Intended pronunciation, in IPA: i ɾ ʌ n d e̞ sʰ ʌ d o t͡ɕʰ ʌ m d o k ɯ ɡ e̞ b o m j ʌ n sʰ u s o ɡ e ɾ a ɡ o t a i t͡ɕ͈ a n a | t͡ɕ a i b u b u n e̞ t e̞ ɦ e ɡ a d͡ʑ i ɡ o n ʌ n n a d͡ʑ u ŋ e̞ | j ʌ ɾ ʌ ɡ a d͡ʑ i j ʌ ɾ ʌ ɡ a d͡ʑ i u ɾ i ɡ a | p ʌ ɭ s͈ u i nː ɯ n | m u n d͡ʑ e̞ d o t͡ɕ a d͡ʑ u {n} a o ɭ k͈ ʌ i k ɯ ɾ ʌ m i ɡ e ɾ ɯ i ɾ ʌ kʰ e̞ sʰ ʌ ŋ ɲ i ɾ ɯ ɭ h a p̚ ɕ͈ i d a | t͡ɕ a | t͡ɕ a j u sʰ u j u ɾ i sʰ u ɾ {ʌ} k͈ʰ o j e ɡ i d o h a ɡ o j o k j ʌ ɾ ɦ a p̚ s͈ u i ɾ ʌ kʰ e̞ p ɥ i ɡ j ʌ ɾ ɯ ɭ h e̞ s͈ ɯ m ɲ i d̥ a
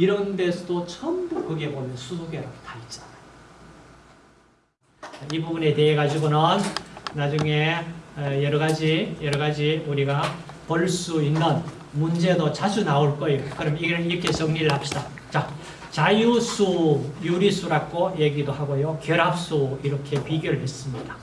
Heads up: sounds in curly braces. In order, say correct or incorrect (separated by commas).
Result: correct, incorrect